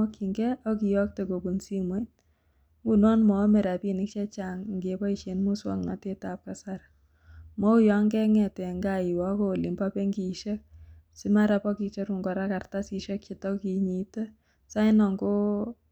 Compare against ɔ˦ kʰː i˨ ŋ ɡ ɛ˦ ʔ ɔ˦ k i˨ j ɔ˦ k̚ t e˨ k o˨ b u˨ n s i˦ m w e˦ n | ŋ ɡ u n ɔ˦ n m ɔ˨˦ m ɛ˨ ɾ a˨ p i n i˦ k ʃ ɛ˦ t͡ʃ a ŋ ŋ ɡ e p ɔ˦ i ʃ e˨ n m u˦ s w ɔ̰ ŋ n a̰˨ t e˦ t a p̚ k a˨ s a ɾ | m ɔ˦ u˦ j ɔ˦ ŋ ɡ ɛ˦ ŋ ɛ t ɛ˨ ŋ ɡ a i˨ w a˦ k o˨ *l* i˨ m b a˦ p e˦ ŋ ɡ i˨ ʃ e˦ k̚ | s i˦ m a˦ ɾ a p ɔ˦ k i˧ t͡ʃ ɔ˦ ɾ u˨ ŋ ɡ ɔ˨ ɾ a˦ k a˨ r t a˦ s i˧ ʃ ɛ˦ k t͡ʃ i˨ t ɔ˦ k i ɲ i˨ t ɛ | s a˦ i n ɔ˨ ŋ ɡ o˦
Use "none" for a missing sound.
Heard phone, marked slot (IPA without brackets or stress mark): l